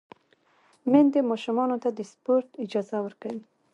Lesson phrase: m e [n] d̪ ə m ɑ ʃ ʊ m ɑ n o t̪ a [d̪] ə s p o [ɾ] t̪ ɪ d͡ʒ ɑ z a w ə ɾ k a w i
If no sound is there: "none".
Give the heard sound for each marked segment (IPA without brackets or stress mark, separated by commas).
n, d̪, ɾ